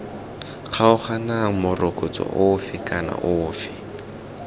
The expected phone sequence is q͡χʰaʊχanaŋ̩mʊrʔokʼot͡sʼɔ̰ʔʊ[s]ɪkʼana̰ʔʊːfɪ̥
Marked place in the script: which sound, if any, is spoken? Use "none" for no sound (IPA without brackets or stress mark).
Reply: f